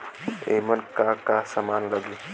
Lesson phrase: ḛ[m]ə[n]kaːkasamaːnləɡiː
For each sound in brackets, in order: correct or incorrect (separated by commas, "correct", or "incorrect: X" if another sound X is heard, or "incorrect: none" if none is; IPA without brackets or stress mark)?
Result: correct, correct